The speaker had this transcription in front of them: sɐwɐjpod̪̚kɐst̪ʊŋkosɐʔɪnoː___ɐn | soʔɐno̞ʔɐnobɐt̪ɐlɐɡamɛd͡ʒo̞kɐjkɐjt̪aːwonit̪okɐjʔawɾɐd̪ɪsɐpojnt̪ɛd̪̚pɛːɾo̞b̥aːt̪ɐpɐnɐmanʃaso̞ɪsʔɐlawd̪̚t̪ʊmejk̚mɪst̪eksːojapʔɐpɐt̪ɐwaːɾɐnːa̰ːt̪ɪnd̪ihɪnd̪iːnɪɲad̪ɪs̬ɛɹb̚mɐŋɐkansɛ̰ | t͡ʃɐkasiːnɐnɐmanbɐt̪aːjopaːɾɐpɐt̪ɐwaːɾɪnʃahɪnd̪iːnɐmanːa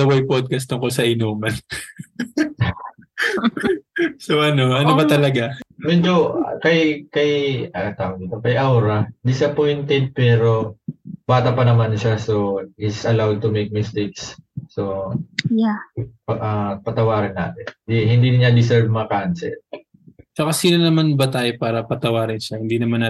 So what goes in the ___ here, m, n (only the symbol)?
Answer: m